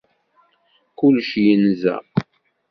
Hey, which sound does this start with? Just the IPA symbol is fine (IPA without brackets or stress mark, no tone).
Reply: k